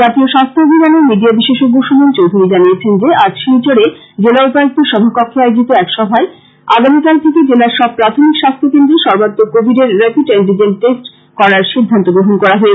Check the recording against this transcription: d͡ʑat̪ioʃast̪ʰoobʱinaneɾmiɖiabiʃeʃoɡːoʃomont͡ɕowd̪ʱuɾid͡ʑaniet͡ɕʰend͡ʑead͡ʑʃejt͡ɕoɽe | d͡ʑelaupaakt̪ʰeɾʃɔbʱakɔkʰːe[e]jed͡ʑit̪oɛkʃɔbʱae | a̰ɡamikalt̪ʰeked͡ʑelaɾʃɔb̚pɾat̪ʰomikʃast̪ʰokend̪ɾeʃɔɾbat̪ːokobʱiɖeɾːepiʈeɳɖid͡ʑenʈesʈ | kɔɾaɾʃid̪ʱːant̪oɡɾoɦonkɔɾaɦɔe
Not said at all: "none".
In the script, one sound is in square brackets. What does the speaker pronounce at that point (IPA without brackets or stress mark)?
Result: a